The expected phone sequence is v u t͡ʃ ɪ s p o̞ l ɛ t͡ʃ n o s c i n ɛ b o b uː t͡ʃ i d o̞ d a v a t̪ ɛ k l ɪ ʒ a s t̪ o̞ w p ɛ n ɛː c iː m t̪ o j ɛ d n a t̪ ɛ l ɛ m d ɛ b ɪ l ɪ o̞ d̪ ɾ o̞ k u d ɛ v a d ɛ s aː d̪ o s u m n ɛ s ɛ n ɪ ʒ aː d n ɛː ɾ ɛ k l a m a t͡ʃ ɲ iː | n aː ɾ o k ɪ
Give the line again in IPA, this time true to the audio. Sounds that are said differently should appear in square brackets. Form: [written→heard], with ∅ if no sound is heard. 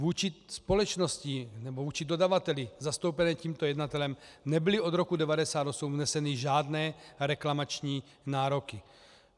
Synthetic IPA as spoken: v [u→uː] t͡ʃ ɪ s p o̞ l ɛ t͡ʃ n o s c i n ɛ b o [b→v] uː t͡ʃ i d o̞ d a v a t̪ ɛ [k→∅] l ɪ [ʒ→z] a s t̪ o̞ w p ɛ n ɛː c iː m t̪ o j ɛ d n a t̪ ɛ l ɛ m [d→n] ɛ b ɪ l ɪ o̞ d̪ ɾ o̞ k u d ɛ v a d ɛ s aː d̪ o s u m n ɛ s ɛ n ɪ ʒ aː d n ɛː ɾ ɛ k l a m a t͡ʃ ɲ iː | n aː ɾ o k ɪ